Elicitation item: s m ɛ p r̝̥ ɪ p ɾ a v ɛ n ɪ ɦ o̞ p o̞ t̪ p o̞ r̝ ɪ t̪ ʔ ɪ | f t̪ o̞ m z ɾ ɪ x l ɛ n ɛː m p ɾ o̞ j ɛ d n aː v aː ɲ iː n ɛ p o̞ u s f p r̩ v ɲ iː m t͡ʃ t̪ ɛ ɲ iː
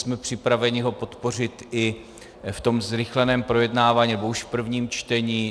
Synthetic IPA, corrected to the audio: s m ɛ p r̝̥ ɪ p ɾ a v ɛ ɲ ɪ ɦ o̞ p o̞ t̪ p o̞ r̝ ɪ t̪ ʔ ɪ | f t̪ o̞ m z ɾ ɪ x l ɛ n ɛː m p ɾ o̞ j ɛ d n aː v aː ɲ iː n ɛ b o̞ u ʃ f p r̩ v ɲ iː m t͡ʃ t̪ ɛ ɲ iː